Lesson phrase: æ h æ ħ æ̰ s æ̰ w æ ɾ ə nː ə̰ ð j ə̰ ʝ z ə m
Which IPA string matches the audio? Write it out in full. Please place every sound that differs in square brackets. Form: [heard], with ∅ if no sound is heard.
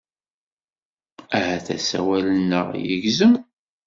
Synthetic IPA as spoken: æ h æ [θ] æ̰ s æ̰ w æ [l] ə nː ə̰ [ʁ] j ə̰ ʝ z ə m